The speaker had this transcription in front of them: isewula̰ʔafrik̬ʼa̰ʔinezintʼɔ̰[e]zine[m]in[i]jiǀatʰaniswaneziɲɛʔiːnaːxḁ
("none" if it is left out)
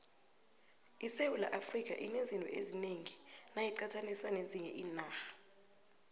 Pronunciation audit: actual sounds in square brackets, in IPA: e, ŋ, a

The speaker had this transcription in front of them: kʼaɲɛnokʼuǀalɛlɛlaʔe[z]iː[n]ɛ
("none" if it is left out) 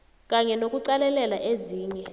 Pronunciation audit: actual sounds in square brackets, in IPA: z, ɲ

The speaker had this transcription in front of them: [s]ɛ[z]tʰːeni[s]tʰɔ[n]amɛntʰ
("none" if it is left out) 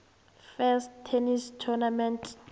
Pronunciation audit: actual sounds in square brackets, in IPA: f, s, s, n

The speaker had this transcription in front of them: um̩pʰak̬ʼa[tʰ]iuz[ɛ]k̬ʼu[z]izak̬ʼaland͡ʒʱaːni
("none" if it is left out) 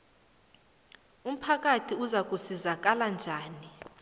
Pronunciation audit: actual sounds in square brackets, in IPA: tʰ, a, s

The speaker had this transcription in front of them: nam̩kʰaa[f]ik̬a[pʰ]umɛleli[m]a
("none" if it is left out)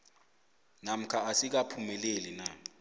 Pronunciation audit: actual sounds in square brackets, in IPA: s, pʰ, n

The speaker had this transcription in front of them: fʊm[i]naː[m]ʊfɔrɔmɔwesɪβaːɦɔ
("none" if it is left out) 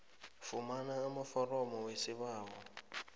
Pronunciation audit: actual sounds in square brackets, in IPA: a, m

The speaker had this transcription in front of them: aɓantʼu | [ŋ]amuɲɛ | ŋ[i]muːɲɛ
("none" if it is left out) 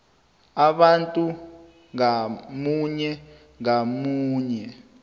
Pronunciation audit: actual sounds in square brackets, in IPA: ŋ, a

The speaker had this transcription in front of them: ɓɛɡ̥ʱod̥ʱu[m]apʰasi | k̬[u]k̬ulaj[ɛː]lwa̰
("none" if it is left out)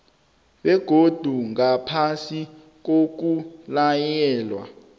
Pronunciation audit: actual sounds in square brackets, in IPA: ŋ, o, ɛː

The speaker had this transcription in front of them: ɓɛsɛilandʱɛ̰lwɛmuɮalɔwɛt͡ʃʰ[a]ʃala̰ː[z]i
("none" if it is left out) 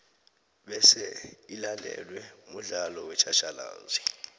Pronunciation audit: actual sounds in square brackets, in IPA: a, z

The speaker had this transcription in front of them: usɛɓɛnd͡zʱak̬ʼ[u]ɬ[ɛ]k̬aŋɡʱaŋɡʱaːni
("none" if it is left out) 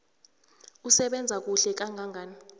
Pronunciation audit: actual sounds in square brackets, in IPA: u, ɛ

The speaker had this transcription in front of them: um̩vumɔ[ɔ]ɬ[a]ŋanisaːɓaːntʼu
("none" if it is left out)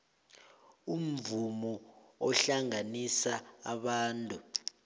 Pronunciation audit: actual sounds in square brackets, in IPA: ɔ, a

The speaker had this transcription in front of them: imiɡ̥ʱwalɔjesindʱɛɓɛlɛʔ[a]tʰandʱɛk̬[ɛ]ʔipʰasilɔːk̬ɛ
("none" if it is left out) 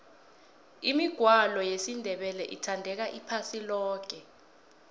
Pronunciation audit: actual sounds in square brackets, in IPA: i, a

